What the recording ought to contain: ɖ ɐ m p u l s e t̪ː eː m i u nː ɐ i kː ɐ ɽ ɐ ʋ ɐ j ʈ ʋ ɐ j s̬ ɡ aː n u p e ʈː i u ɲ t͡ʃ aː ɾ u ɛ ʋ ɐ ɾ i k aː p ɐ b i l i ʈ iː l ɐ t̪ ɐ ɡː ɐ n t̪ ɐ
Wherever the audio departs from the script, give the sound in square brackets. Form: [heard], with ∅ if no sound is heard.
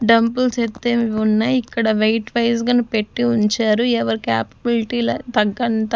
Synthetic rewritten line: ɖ ɐ m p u l s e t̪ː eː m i u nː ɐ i kː ɐ ɽ ɐ ʋ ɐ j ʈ ʋ ɐ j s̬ ɡ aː n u p e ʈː i u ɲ t͡ʃ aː ɾ u ɛ ʋ ɐ ɾ i k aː p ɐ b i l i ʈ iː l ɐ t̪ ɐ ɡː ɐ n t̪ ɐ

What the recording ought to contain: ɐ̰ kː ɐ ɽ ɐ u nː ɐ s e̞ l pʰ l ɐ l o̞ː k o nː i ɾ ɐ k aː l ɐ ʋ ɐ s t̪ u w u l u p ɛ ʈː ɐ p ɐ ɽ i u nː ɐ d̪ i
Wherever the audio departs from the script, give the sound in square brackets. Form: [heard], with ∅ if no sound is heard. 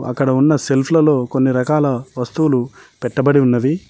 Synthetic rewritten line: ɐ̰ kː ɐ ɽ ɐ u nː ɐ s e̞ l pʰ l ɐ l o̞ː k o nː i ɾ ɐ k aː l ɐ ʋ ɐ s t̪ u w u l u p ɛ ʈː ɐ [b] ɐ ɽ i u nː ɐ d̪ i

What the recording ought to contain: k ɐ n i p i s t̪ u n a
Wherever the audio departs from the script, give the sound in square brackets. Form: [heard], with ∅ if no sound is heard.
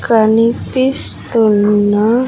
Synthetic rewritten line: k [a] n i p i s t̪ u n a

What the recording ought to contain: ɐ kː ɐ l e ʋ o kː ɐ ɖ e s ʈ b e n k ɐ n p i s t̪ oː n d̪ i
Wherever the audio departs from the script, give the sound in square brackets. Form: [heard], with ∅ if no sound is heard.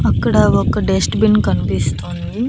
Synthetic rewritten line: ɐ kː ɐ [ɽ] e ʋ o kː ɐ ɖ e s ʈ b [i] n k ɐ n p i s t̪ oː n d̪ i

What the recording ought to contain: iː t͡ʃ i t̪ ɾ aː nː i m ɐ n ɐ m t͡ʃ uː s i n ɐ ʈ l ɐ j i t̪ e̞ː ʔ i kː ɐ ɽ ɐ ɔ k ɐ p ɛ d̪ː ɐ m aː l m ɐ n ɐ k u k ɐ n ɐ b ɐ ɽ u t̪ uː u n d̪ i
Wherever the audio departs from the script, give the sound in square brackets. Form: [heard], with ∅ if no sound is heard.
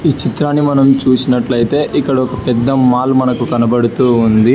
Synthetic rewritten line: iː t͡ʃ i t̪ ɾ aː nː i m ɐ n ɐ m t͡ʃ uː s i n ɐ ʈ l ɐ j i t̪ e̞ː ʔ i kː ɐ ɽ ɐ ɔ k ɐ p ɛ d̪ː ɐ m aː l m ɐ n ɐ k u k ɐ n ɐ b ɐ ɽ u t̪ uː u n d̪ i

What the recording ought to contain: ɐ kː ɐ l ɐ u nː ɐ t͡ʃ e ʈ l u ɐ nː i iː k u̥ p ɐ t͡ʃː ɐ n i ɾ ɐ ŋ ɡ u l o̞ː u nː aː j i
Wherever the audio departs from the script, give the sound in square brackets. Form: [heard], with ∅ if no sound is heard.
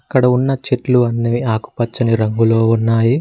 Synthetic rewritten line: ɐ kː ɐ [ɽ] ɐ u nː ɐ t͡ʃ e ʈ l u ɐ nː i [aː] k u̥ p ɐ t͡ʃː ɐ n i ɾ ɐ ŋ ɡ u l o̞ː u nː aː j i

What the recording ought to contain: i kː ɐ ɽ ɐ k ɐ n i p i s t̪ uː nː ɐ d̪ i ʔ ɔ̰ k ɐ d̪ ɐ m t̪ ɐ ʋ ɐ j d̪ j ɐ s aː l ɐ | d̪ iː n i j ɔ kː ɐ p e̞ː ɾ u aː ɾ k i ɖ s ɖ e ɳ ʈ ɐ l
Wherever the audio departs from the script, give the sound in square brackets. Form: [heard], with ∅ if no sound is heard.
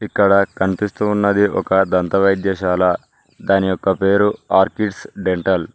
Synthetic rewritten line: i kː ɐ ɽ ɐ k ɐ n i p i s t̪ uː nː ɐ d̪ i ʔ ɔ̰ k ɐ d̪ ɐ [n] t̪ ɐ ʋ ɐ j d̪ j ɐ [ʃ] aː l ɐ | d̪ [aː] n i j ɔ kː ɐ p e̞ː ɾ u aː ɾ k i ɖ s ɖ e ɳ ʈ ɐ l

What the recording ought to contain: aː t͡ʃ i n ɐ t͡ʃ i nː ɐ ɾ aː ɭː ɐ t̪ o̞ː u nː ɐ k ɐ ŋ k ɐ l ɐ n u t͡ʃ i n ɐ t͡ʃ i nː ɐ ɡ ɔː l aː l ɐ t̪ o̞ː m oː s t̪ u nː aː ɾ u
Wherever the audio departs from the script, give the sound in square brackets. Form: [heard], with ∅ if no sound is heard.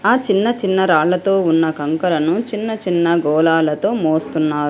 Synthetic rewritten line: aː t͡ʃ i [nː] ɐ t͡ʃ i nː ɐ ɾ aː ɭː ɐ t̪ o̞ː u nː ɐ k ɐ ŋ k ɐ l ɐ n u t͡ʃ i [nː] ɐ t͡ʃ i nː ɐ ɡ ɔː l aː l ɐ t̪ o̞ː m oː s t̪ u nː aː ɾ u

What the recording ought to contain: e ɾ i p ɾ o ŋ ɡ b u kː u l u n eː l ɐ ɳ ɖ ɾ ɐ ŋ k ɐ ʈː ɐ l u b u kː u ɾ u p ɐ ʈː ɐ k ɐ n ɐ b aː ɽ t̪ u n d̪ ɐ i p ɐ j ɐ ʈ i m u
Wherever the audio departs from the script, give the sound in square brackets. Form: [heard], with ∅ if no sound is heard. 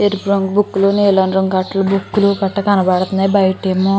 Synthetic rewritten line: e ɾ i p ɾ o ŋ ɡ b u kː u l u n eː l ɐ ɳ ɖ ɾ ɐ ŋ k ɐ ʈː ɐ l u b u kː u [l] u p ɐ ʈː ɐ k ɐ n ɐ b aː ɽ t̪ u n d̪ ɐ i [b] ɐ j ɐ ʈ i m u

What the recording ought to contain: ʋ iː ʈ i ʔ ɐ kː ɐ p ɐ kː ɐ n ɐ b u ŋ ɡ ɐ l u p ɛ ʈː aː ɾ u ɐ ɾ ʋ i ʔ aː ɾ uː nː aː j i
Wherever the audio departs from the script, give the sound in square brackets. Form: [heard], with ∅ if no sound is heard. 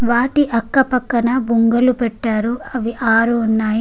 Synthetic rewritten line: ʋ [aː] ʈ i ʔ ɐ kː ɐ p ɐ kː ɐ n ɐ b u ŋ ɡ ɐ l u p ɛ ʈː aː ɾ u ɐ [∅] ʋ i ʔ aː ɾ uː nː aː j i

